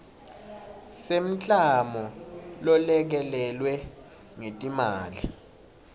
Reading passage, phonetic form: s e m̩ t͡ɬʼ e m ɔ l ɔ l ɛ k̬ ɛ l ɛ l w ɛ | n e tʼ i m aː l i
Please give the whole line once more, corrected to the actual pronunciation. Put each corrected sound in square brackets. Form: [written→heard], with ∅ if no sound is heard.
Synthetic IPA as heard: s e m̩ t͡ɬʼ [e→a] m ɔ l ɔ l ɛ k̬ ɛ l ɛ l w ɛ | [n→ŋ] e tʼ i m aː l i